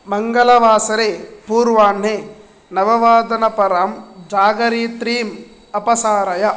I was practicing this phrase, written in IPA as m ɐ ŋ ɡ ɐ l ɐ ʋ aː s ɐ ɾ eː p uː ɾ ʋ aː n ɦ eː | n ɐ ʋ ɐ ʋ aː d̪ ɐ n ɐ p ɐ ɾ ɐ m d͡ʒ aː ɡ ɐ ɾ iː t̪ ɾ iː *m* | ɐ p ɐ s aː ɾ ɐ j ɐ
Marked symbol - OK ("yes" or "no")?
yes